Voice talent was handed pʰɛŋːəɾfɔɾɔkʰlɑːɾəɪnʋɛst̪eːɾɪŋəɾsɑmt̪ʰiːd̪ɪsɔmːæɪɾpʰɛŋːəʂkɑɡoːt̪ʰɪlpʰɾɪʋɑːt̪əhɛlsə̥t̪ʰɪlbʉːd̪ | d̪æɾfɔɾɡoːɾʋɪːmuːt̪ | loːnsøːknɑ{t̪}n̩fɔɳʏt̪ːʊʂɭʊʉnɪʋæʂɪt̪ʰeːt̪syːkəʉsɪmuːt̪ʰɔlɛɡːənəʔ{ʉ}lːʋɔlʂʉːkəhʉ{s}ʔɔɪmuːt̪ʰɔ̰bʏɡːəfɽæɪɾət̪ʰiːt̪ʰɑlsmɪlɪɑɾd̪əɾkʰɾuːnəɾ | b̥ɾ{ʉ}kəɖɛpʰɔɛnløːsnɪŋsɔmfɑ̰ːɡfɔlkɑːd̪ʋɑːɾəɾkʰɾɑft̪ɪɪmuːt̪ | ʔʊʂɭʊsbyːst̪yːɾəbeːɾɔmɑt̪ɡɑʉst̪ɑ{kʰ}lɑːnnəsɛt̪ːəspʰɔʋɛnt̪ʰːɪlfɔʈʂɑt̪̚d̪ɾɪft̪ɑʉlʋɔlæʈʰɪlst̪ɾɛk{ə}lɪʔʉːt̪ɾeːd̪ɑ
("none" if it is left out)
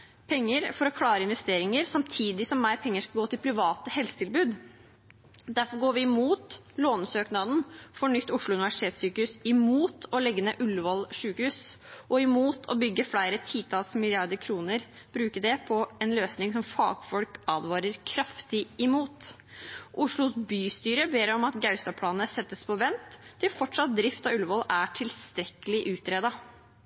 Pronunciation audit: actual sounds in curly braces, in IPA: d̪, ʉ, s, ʉː, pʰ, ə

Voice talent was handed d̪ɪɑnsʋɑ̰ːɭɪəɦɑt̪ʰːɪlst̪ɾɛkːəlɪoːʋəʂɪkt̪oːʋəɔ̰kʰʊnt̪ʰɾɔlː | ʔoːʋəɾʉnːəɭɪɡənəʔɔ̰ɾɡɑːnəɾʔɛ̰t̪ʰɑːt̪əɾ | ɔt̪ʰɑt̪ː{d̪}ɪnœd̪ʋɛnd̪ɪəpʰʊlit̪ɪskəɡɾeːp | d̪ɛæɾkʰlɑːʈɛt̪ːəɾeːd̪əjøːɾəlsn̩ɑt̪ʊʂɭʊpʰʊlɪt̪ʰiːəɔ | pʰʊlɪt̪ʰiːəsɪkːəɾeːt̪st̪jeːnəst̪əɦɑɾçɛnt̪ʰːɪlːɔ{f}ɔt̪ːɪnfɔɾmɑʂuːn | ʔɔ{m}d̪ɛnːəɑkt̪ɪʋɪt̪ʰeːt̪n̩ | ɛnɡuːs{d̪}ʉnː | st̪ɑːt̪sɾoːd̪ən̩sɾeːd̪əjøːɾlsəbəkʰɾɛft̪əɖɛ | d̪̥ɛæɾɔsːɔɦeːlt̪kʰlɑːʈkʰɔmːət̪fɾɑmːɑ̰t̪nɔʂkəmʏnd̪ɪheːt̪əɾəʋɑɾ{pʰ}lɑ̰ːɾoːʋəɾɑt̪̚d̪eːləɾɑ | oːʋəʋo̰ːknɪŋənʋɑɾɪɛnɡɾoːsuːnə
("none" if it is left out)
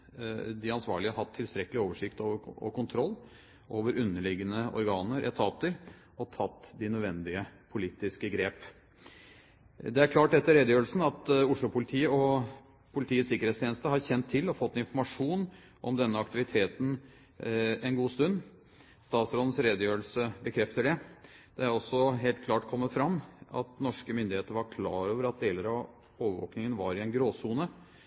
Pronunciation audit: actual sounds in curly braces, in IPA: d̪, f, m, t̪, kʰ

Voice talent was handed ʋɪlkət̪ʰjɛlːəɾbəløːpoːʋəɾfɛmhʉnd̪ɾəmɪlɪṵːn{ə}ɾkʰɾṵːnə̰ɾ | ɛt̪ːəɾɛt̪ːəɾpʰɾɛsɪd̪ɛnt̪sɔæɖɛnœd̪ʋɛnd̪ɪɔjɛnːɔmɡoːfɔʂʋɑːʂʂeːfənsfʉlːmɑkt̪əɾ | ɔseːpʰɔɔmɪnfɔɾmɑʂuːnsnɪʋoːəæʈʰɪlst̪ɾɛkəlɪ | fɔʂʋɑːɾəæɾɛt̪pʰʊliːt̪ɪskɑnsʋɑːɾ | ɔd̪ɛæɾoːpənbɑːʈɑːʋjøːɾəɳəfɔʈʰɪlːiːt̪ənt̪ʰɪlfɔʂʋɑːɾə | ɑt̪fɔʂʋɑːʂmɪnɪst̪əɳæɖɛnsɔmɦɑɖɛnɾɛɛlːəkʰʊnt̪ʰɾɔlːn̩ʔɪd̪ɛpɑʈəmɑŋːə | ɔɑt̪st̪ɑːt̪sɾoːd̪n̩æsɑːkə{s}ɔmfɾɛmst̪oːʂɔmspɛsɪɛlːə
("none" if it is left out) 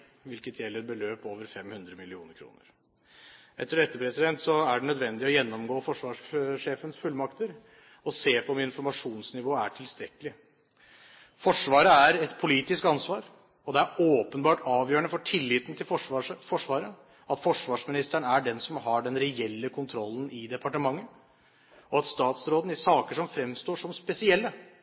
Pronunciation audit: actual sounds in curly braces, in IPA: ə, ʂ

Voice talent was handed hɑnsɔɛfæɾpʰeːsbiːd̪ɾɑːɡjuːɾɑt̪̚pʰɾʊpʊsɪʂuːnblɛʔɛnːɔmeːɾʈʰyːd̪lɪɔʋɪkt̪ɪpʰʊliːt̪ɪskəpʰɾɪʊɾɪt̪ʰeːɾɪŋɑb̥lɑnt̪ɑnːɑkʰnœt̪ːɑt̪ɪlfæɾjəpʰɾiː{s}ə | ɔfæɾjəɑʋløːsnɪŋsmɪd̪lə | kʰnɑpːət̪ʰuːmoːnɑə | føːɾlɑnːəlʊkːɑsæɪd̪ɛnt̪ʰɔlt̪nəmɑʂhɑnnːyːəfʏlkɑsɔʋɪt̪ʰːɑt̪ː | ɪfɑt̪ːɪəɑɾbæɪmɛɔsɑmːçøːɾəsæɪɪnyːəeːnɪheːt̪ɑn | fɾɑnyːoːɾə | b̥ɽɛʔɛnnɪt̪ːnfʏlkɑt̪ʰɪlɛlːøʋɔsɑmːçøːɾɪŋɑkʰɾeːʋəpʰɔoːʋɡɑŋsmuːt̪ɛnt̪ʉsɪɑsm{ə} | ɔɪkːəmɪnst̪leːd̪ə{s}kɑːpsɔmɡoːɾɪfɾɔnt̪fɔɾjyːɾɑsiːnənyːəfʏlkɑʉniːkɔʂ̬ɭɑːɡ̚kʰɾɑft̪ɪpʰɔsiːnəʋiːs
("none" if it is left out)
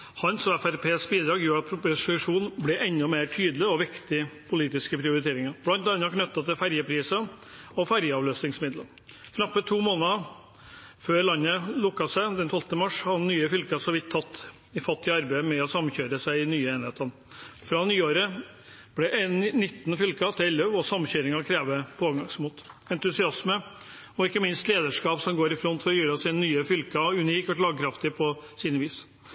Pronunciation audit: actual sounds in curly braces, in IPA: s, ə, ʂ

